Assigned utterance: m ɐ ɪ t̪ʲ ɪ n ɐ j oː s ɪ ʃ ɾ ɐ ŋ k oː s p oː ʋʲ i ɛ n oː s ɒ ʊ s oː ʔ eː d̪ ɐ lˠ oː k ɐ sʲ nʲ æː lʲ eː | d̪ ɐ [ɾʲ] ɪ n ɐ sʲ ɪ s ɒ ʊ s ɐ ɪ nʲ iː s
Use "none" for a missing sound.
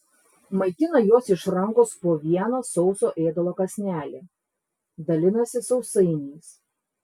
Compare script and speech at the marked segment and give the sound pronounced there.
lʲ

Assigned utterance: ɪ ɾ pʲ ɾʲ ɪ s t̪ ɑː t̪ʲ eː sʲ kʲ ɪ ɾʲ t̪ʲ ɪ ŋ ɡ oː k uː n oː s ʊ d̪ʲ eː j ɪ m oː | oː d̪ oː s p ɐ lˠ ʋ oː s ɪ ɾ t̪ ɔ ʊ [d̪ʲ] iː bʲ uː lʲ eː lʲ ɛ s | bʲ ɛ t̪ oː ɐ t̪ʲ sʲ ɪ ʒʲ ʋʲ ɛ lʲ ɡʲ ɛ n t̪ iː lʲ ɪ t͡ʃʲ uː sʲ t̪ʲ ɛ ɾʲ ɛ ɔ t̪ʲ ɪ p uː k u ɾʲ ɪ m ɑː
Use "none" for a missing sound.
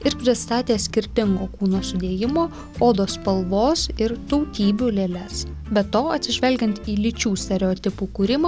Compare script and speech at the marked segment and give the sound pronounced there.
t̪ʲ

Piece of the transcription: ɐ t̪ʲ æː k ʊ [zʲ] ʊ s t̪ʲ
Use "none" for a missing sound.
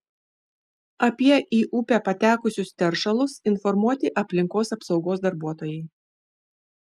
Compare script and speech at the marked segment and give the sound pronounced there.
sʲ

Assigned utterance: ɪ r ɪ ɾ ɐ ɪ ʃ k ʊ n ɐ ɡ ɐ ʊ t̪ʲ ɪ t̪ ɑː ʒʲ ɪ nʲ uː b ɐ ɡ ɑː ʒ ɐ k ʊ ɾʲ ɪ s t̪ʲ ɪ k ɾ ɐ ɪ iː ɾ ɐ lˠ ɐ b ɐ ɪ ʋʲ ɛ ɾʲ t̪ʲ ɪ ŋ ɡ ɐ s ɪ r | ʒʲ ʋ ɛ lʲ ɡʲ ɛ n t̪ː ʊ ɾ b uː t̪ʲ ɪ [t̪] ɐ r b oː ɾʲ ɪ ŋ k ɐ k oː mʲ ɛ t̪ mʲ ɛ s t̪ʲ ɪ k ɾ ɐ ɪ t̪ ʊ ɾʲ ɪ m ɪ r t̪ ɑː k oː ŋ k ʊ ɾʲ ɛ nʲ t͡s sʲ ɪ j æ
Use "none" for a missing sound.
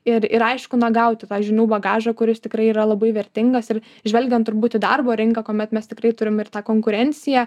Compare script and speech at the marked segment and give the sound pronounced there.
d̪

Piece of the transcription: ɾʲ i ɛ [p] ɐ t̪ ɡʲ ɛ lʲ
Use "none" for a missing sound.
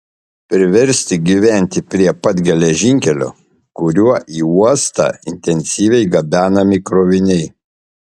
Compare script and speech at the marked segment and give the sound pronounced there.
p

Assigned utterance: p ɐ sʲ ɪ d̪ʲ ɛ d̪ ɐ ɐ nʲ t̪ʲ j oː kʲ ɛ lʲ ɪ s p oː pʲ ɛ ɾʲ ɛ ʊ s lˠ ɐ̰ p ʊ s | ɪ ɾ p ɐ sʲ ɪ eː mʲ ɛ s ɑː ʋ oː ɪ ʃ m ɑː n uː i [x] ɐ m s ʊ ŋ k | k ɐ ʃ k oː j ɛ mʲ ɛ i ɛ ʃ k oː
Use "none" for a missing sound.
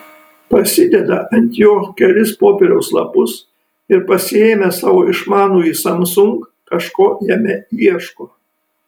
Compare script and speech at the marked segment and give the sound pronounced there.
s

